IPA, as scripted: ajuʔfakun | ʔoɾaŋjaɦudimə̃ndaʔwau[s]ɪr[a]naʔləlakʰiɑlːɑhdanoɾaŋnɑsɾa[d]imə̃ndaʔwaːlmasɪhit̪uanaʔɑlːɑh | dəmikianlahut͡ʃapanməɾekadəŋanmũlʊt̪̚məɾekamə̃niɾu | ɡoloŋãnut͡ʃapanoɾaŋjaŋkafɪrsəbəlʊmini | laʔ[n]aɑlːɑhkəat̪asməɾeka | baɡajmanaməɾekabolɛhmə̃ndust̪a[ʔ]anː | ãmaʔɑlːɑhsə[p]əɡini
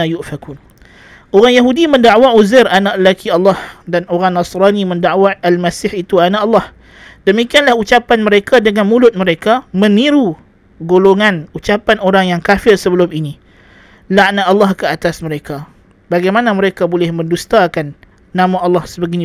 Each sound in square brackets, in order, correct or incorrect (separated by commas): incorrect, correct, incorrect, correct, incorrect, incorrect